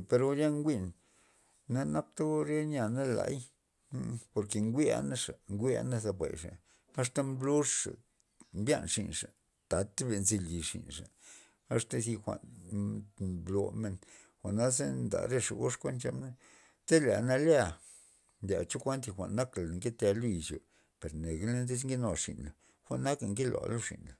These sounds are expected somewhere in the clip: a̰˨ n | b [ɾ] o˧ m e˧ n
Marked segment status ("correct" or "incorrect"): incorrect